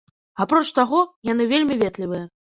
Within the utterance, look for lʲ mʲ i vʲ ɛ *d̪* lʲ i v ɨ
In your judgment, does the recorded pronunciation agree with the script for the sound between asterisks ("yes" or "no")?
no